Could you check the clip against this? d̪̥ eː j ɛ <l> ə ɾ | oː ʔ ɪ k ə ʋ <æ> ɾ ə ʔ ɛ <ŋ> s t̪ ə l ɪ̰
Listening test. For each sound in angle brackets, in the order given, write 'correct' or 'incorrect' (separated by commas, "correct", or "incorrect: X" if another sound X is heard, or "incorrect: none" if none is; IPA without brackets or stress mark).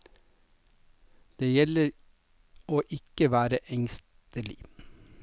correct, incorrect: æː, correct